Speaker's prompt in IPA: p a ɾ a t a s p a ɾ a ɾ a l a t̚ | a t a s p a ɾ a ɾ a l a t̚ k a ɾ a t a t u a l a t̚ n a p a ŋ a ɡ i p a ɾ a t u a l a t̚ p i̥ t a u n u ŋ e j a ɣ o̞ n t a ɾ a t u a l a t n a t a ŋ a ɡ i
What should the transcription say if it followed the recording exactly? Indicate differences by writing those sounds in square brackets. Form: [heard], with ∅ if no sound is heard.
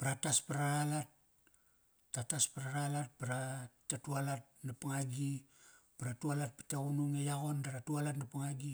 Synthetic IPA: p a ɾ a t a s p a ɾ a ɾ a l a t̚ | a t a s p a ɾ a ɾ a l a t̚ [p] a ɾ a t a t u a l a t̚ n a p a ŋ a ɡ i p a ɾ a t u a l a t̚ p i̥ t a u n u ŋ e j a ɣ o̞ n [d] a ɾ a t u a l a t n a [p] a ŋ a ɡ i